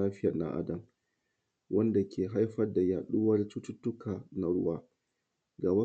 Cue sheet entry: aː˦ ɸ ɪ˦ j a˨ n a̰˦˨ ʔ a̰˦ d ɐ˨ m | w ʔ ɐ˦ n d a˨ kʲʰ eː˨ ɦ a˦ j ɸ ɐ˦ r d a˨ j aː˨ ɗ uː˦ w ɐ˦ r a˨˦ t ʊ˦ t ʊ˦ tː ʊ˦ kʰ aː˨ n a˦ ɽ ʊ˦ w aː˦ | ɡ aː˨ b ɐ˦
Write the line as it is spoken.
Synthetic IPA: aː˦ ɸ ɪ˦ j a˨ n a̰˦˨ ʔ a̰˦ d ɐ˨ m | w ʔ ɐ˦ n d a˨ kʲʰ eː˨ ɦ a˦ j ɸ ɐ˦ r d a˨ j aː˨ ɗ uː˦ w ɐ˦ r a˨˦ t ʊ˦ t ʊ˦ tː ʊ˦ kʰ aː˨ n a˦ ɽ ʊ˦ w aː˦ | ɡ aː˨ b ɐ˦

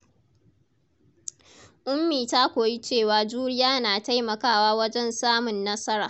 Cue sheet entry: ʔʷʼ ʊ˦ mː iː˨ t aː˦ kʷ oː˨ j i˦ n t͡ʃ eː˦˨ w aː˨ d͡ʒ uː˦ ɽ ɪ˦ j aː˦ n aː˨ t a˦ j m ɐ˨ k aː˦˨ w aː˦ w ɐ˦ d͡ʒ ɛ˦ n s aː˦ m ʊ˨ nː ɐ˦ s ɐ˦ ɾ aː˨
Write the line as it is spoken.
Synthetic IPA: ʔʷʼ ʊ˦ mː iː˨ t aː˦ kʷ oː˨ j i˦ t͡ʃ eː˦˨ w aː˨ d͡ʒ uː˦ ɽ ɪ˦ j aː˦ n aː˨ t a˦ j m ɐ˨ k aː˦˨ w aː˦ w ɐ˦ d͡ʒ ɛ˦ n s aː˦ m ʊ˨ nː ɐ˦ s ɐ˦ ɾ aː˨

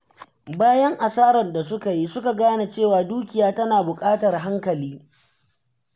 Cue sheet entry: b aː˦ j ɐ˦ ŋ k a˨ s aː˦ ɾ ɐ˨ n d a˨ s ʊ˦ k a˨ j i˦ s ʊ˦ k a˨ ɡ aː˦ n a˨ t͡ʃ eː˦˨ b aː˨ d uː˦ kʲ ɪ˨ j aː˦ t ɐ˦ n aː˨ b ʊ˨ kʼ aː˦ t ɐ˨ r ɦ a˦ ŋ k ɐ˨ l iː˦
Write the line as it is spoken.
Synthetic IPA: b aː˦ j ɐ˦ ŋ ʔ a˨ s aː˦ ɾ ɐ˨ n d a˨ s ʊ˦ k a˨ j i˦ s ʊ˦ k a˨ ɡ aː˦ n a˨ t͡ʃ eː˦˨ w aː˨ d uː˦ kʲ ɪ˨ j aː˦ t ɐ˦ n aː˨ b ʊ˨ kʼ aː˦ t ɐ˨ r ɦ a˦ ŋ k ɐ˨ l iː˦

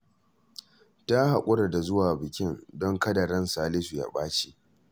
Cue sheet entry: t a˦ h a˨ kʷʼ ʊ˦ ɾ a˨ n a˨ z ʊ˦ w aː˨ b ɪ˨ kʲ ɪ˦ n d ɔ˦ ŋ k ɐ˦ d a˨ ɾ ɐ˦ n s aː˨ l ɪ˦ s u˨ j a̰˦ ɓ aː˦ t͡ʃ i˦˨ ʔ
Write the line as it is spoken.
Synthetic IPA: t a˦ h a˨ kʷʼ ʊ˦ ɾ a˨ d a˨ z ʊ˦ w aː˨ b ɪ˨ kʲ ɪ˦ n d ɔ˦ ŋ k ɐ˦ d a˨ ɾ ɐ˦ n s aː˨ l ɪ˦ s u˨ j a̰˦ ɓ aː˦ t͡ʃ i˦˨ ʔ

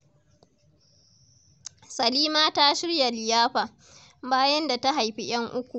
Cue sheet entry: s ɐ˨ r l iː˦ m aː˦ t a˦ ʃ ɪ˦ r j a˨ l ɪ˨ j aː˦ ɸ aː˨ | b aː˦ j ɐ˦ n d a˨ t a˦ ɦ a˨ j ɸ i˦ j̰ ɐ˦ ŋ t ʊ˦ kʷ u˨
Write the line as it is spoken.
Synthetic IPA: s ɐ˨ l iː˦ m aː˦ t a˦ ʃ ɪ˦ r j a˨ l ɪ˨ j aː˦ ɸ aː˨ | b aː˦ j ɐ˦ n d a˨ t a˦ ɦ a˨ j ɸ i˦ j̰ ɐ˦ ŋ ʔ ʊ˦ kʷ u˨

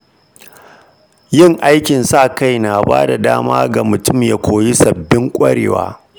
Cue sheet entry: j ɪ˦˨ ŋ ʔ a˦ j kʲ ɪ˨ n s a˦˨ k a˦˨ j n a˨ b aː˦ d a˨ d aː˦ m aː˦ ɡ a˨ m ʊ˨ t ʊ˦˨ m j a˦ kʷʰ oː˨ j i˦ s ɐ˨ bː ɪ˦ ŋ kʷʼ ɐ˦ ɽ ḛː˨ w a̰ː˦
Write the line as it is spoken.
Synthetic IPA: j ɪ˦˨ ŋ ʔ a˦ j kʲ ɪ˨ n s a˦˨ k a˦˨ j n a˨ b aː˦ d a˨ d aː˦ m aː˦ ɡ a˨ m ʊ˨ t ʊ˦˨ m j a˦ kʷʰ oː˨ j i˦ s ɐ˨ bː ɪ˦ ŋ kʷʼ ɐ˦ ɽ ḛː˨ w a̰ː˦

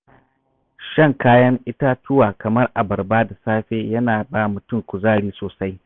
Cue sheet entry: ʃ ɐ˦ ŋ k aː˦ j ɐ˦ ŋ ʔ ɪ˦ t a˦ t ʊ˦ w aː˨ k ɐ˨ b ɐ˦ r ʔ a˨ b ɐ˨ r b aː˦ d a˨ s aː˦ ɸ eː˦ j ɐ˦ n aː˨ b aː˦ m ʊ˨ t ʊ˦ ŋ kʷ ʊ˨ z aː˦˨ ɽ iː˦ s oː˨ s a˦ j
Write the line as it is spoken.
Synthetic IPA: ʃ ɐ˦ ŋ k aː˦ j ɐ˦ ŋ ʔ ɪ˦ t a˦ t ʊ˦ w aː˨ k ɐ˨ m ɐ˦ r ʔ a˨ b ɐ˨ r b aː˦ d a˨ s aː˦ ɸ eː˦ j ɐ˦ n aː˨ b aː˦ m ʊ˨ t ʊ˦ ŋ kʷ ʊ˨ z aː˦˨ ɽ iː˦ s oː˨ s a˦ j

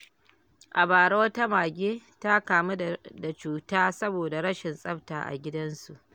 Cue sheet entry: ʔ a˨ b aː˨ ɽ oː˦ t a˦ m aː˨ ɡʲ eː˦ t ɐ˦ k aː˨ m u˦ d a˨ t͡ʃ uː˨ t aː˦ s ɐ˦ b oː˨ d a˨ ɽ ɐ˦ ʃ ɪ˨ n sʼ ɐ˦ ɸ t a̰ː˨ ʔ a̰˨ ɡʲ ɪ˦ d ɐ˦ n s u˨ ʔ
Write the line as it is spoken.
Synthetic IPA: ʔ a˨ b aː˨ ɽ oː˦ t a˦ m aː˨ ɡʲ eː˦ t a˦ k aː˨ m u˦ d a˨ t͡ʃ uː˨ t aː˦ s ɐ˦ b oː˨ d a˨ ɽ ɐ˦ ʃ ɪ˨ n sʼ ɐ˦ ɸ t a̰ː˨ ʔ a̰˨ ɡʲ ɪ˦ d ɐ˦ n s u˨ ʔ

